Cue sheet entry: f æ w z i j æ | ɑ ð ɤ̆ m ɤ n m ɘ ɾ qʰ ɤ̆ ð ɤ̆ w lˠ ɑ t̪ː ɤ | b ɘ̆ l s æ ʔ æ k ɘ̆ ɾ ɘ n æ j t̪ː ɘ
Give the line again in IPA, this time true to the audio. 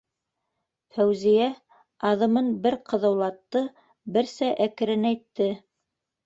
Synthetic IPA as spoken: f æ w z i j æ | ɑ ð ɤ̆ m ɤ n b ɘ ɾ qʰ ɤ̆ ð ɤ̆ w lˠ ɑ t̪ː ɤ | b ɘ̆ ɾ s æ ʔ æ k ɘ̆ ɾ ɘ n æ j t̪ː ɘ